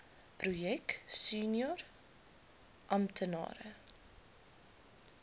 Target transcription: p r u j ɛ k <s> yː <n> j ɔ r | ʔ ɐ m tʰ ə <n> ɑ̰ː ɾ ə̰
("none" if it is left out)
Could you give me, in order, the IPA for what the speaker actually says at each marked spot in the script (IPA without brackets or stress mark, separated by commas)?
s, n, n